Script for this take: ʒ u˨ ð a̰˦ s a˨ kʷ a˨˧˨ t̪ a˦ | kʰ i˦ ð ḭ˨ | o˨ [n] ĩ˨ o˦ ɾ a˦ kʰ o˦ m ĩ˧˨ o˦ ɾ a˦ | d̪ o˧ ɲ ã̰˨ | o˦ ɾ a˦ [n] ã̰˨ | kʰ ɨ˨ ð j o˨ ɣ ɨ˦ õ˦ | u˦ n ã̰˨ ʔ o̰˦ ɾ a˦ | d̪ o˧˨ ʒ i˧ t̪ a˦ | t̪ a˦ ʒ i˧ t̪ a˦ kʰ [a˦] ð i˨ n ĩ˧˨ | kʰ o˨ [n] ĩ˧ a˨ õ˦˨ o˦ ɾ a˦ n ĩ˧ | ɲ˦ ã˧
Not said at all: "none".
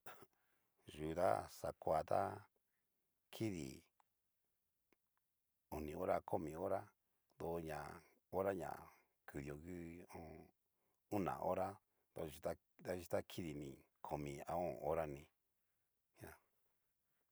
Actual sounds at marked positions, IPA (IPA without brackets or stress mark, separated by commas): n, ɲ, i˦, m